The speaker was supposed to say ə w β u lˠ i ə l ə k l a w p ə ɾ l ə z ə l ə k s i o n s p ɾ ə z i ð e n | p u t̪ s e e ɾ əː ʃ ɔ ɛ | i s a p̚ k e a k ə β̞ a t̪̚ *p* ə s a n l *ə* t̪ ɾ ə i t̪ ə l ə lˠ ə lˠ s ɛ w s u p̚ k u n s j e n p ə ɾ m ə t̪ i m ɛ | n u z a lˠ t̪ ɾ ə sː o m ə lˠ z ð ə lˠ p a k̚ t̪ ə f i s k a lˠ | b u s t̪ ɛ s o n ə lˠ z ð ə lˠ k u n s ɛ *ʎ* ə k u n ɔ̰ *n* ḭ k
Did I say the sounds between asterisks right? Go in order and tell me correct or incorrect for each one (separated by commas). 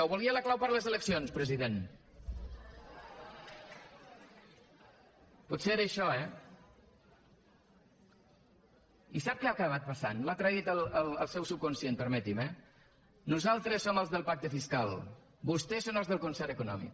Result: correct, incorrect, incorrect, incorrect